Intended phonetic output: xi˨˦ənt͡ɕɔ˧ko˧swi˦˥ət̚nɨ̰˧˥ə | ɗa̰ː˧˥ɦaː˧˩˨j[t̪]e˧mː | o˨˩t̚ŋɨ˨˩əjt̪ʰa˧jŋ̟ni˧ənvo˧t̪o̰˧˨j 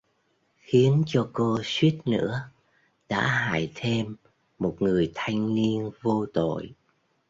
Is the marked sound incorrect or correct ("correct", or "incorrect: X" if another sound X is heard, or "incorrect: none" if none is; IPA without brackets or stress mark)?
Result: incorrect: t̪ʰ